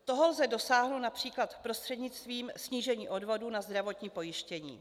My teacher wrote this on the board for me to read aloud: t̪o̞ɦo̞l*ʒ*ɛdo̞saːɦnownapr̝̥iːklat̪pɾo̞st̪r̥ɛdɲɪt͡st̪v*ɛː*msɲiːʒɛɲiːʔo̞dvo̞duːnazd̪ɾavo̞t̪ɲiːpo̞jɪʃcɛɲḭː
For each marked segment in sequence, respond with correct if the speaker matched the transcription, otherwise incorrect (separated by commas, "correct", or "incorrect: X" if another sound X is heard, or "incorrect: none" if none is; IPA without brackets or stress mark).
incorrect: z, incorrect: iː